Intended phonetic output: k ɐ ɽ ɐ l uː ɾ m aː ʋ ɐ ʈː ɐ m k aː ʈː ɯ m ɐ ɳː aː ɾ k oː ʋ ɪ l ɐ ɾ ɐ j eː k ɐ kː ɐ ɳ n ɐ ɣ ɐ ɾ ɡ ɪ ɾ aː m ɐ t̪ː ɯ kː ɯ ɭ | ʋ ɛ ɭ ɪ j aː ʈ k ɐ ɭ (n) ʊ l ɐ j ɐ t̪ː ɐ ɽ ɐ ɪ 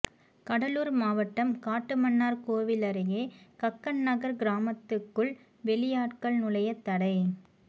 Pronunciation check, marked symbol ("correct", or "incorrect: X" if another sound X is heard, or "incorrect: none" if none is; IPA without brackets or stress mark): correct